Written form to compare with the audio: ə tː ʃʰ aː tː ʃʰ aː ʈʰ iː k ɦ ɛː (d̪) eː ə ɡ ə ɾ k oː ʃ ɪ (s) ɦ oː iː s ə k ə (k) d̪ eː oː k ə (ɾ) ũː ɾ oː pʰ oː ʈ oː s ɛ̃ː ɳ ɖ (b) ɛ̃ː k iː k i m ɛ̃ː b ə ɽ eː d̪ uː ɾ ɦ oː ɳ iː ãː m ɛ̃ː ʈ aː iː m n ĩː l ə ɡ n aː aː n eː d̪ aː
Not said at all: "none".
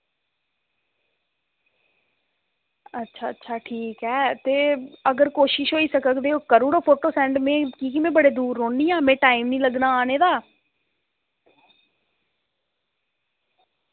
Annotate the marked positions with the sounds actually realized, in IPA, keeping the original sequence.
t̪, ʃ, k, ɾ, m

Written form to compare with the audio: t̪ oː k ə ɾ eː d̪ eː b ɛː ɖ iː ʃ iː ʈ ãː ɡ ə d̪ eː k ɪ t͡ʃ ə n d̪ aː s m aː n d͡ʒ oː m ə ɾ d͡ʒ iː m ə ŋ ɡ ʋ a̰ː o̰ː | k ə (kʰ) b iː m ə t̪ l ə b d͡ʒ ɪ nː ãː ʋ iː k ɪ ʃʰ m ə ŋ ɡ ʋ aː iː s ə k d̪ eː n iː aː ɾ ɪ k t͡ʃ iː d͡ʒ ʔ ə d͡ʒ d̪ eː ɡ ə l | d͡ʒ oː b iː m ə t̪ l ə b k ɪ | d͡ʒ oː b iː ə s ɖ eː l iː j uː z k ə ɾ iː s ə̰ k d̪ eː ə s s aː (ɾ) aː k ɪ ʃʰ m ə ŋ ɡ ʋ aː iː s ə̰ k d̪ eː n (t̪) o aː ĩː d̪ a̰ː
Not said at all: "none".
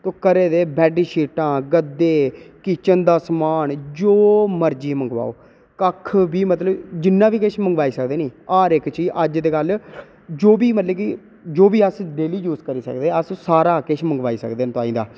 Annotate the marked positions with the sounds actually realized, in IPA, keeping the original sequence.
kʰ, ɾ, t̪

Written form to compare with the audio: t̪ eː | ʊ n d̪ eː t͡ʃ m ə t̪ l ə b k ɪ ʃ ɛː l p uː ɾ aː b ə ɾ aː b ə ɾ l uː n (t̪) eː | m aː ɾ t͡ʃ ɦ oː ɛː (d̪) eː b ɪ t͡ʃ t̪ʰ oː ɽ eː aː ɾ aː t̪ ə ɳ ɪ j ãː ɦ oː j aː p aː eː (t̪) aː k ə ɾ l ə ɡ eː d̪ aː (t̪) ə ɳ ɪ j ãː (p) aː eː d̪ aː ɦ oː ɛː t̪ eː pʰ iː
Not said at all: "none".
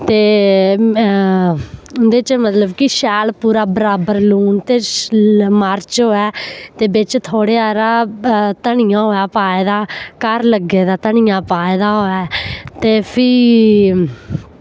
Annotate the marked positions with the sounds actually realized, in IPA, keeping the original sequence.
t̪, t̪, d̪, t̪, p

